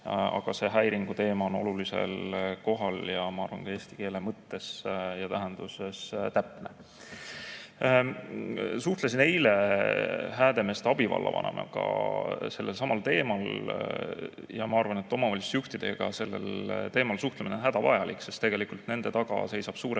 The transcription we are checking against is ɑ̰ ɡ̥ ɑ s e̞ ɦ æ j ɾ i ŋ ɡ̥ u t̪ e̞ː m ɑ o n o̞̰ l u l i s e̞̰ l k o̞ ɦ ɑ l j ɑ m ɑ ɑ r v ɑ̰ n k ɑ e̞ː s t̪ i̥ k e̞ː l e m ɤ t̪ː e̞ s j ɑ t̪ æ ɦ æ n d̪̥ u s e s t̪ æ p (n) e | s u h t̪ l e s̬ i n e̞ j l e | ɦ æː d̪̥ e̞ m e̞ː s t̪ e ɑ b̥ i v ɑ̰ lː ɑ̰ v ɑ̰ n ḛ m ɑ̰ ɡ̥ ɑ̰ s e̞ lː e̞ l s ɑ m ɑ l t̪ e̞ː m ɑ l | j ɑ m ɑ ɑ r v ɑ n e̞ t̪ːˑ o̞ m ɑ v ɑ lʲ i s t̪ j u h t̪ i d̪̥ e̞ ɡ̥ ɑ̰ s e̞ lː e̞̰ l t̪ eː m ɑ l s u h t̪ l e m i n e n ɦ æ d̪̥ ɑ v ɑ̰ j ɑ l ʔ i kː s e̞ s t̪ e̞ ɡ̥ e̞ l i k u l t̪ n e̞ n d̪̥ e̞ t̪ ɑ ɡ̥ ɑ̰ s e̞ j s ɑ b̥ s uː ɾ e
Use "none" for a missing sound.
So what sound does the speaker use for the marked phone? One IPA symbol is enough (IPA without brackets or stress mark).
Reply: n